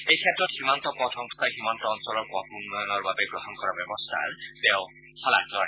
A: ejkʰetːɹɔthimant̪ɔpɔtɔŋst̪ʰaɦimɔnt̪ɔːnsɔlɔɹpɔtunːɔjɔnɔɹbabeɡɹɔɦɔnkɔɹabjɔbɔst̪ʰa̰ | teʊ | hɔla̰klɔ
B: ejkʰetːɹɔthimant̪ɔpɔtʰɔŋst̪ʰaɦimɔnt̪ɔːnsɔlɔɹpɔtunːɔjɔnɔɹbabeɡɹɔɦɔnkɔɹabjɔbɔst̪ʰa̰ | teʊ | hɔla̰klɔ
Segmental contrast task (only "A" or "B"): B